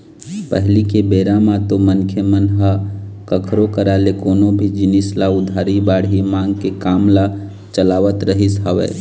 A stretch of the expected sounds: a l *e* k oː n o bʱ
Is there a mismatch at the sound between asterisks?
no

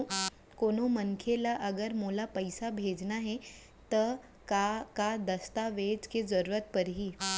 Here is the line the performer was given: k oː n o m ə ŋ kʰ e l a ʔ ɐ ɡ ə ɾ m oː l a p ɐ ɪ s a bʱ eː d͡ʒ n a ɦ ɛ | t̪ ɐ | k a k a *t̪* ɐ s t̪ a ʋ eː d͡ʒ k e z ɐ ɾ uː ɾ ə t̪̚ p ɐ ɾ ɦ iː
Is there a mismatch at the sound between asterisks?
yes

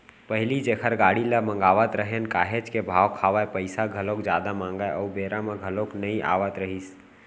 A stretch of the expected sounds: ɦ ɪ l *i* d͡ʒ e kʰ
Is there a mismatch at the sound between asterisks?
no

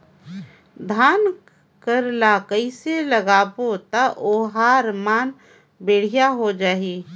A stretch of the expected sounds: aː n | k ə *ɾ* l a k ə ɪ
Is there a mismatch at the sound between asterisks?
no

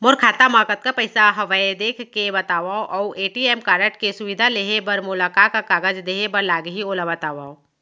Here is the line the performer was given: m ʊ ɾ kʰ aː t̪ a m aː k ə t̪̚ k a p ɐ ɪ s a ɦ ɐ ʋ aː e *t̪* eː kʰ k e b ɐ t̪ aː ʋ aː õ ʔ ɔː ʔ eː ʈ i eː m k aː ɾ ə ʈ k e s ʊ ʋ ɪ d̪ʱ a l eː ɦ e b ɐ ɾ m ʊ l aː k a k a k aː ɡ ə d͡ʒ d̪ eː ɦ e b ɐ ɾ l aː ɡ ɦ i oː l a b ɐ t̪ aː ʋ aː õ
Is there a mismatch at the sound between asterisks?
yes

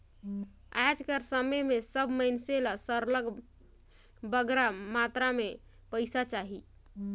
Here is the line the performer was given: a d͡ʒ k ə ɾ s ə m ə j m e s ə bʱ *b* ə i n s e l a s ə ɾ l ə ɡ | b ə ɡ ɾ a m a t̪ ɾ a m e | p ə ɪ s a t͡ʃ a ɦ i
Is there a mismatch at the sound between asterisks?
yes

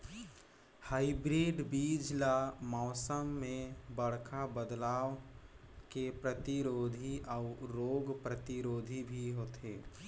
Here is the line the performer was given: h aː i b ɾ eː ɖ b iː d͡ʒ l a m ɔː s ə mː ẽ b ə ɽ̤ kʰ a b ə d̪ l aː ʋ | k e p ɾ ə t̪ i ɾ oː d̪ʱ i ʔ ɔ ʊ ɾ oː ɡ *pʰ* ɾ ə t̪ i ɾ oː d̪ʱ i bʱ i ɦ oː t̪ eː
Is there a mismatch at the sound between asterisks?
yes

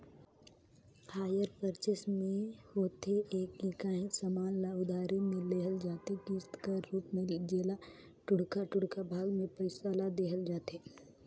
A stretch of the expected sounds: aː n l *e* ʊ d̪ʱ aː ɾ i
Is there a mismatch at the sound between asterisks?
yes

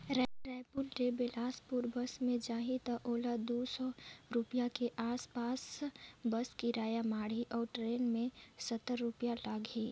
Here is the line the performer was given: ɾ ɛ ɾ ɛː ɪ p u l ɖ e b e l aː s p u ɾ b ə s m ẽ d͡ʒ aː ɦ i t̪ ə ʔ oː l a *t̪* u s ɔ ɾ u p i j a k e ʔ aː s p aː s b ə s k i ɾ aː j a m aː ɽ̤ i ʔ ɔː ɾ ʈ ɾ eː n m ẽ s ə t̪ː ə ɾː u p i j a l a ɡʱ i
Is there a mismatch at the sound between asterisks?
yes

